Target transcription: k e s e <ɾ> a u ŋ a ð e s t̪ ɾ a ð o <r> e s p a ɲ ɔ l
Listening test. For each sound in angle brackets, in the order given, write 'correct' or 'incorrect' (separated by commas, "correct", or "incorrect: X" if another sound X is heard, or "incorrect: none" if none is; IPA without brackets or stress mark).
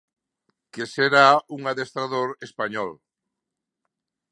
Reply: correct, incorrect: ɾ